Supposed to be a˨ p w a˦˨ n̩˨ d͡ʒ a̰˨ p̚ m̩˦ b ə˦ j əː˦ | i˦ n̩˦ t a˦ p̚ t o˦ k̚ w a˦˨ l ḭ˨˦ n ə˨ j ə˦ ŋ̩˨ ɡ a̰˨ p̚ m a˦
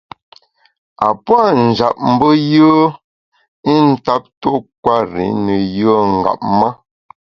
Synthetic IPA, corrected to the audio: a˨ p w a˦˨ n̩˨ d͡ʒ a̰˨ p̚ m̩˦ b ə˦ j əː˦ | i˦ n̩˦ t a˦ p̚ t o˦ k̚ w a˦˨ ɾ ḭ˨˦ n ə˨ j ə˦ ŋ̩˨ ɡ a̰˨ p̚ m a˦